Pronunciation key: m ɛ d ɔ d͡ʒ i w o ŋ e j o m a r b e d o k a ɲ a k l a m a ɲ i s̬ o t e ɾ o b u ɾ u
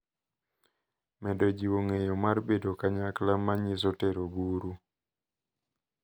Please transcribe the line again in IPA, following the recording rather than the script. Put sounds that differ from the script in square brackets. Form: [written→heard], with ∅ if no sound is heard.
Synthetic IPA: m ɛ d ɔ d͡ʒ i w o ŋ e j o m a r b e d o k a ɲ a k l a m a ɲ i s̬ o t e ɾ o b u ɾ u